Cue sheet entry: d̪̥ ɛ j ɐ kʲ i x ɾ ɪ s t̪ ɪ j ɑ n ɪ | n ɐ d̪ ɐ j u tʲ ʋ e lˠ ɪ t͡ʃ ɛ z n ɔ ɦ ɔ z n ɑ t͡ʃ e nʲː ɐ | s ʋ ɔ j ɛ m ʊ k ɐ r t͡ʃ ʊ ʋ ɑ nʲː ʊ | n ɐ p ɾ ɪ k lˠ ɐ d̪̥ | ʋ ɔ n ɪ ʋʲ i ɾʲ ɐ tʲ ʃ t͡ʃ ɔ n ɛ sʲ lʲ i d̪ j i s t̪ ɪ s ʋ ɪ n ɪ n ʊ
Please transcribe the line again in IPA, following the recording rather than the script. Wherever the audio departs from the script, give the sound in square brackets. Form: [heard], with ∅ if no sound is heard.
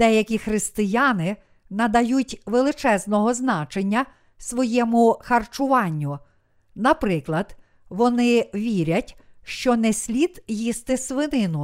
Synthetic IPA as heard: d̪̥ ɛ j ɐ kʲ i x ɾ ɪ s t̪ ɪ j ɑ n ɪ | n ɐ d̪ ɐ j u tʲ ʋ e lˠ ɪ t͡ʃ ɛ z n ɔ ɦ ɔ z n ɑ t͡ʃ e nʲː ɐ | s ʋ ɔ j ɛ m ʊ [x] ɐ r t͡ʃ ʊ ʋ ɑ nʲː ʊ | n ɐ p ɾ ɪ k lˠ ɐ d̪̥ | ʋ ɔ n ɪ ʋʲ i ɾʲ ɐ tʲ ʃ t͡ʃ ɔ n ɛ sʲ lʲ i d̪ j i s t̪ ɪ s ʋ ɪ n ɪ n ʊ